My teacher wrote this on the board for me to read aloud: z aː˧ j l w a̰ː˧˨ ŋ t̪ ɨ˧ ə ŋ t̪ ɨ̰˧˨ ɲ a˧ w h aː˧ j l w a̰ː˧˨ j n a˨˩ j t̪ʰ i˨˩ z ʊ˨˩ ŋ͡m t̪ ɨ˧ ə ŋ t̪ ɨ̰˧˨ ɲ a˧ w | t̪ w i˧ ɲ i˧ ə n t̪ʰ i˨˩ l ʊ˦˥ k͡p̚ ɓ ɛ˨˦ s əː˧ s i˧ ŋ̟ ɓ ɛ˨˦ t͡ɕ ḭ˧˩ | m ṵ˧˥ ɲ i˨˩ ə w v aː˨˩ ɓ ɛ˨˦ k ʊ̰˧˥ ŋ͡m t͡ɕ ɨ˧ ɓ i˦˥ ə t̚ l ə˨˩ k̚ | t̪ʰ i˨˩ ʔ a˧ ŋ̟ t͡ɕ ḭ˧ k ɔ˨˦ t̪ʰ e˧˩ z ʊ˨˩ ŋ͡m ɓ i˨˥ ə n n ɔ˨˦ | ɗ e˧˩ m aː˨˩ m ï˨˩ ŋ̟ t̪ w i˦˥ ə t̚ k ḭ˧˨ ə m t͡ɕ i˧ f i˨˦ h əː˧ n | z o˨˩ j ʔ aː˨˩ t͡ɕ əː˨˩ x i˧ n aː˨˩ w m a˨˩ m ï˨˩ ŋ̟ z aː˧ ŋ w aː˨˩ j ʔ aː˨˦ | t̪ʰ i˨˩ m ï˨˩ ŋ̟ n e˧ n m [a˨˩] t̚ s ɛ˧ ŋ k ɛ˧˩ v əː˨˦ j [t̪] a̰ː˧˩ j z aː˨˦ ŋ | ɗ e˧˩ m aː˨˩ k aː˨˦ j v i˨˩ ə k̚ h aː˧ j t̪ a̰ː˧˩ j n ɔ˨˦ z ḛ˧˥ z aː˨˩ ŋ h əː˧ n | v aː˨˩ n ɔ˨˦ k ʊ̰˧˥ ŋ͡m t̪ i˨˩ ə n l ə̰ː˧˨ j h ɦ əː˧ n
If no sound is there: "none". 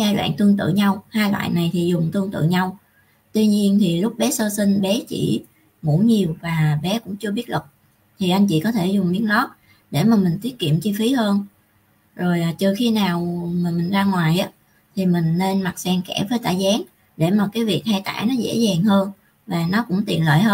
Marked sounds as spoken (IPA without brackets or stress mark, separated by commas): a˨˩, t̪